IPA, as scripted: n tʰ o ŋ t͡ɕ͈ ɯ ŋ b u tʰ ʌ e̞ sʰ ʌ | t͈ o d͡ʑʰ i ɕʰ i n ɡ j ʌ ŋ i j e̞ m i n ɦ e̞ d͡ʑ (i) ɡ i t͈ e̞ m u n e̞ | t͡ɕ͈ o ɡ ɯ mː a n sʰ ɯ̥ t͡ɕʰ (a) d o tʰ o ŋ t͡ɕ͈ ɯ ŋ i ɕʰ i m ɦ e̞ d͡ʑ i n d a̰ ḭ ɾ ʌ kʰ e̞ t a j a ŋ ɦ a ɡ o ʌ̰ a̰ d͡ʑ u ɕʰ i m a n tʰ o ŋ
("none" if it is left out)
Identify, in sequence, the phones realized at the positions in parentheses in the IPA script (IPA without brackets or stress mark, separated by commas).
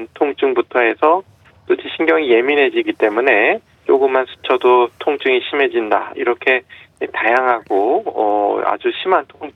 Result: i, ʌ